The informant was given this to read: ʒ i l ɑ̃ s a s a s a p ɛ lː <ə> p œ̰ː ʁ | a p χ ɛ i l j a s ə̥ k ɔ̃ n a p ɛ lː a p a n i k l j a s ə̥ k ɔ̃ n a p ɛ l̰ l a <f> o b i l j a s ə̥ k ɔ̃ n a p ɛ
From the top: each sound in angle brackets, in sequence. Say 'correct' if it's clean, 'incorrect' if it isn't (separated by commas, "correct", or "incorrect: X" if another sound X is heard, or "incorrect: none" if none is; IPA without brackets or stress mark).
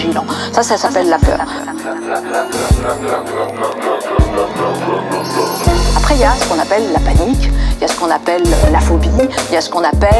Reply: incorrect: a, correct